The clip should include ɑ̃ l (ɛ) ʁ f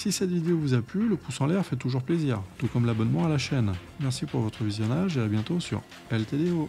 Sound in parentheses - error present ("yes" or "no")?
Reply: no